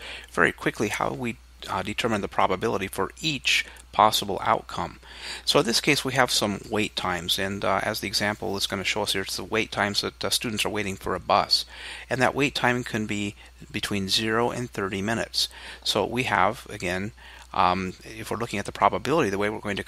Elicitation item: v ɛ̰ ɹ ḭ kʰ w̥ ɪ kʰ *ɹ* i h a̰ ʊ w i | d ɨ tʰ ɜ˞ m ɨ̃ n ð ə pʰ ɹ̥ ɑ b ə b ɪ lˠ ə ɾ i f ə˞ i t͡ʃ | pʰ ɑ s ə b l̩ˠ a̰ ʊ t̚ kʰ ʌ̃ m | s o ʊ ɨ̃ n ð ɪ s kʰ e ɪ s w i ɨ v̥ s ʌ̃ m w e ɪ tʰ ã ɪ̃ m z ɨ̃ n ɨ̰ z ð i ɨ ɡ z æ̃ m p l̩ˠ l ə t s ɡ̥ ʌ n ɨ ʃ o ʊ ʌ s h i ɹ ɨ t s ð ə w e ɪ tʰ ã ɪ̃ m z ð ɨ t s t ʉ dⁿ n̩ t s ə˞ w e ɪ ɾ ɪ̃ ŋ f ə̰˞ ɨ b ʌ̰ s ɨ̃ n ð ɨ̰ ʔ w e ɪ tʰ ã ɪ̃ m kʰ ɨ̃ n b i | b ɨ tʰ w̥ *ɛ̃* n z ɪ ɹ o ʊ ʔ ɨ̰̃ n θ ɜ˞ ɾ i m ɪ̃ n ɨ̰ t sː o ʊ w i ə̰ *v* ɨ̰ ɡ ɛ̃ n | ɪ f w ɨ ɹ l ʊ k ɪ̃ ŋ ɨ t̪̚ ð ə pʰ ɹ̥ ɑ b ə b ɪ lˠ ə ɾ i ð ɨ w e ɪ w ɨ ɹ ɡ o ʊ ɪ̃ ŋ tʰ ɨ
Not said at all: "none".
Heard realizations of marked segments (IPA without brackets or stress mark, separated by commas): l, ĩ, v